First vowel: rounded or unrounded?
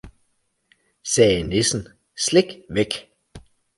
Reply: unrounded